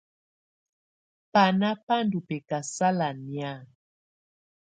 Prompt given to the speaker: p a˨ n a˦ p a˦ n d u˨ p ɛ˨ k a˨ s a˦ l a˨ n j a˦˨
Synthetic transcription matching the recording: p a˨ n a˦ p a˦ n d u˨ p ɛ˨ k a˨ s a˦ l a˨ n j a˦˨